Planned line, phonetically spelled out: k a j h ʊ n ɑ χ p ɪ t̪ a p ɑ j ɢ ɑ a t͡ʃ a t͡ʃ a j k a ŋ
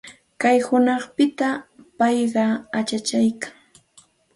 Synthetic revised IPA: k a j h ʊ n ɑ χ p ɪ t̪ a p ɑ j ɢ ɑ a t͡ʃ a t͡ʃ a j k a ŋ